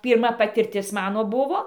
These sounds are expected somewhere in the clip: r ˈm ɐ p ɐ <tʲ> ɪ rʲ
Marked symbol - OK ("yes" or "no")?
yes